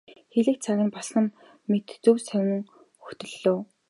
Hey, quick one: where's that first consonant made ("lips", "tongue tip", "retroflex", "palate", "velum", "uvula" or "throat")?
velum